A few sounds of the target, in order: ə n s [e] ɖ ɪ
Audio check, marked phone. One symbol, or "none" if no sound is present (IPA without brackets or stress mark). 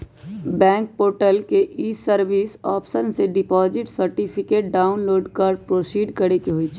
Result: e